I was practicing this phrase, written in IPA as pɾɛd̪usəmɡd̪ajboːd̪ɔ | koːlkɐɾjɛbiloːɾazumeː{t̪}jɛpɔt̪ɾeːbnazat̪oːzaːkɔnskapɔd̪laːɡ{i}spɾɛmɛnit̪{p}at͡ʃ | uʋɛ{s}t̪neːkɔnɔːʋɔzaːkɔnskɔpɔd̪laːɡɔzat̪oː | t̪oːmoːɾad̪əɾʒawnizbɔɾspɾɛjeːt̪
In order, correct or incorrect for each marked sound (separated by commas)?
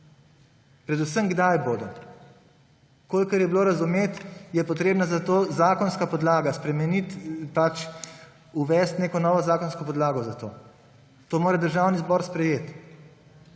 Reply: correct, incorrect, correct, correct